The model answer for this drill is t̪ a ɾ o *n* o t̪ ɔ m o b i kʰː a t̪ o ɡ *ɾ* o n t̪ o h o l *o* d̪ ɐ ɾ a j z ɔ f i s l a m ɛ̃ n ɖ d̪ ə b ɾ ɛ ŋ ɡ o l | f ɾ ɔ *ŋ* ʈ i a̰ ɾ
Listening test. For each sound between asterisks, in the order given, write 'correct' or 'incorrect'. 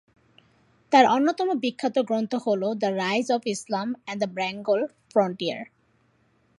incorrect, correct, correct, incorrect

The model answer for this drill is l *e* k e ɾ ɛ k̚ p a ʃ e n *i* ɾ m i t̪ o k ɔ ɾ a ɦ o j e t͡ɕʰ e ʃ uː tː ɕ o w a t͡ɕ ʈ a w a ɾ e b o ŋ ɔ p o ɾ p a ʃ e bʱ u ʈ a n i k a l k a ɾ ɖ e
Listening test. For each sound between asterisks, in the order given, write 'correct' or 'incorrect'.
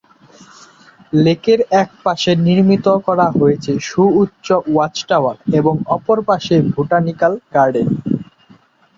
correct, correct

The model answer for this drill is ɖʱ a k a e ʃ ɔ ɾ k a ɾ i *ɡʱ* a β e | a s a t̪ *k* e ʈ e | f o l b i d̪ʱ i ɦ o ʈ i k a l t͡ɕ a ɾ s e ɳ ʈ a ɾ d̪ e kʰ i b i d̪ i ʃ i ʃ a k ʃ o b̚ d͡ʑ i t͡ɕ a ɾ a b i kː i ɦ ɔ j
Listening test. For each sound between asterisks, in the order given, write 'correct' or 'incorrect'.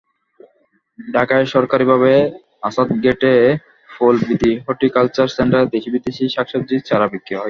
incorrect, incorrect

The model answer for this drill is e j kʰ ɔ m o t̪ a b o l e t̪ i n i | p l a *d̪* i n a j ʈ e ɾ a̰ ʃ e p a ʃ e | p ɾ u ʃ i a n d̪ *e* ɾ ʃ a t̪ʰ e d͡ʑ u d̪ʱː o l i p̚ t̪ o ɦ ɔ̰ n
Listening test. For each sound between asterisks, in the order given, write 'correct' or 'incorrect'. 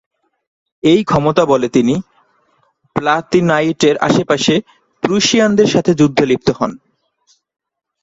incorrect, correct

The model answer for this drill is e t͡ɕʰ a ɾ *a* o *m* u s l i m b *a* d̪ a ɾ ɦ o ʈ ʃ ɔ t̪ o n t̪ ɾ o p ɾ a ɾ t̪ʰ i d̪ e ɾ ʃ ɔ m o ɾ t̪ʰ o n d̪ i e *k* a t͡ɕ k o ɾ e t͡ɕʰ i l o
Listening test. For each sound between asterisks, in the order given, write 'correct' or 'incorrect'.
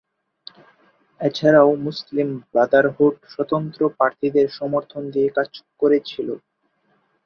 correct, correct, correct, correct

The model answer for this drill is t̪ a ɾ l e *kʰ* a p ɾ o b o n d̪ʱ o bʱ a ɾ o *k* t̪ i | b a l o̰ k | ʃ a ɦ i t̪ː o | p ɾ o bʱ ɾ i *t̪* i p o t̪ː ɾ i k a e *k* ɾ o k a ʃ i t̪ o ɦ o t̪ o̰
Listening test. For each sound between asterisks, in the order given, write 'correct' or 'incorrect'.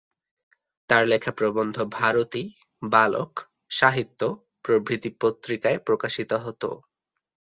correct, incorrect, correct, incorrect

